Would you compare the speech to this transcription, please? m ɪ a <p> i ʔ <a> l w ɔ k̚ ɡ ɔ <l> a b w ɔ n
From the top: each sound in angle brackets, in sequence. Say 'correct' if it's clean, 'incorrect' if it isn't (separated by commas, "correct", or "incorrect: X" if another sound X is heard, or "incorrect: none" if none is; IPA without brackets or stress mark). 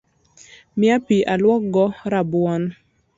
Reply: correct, correct, incorrect: ɾ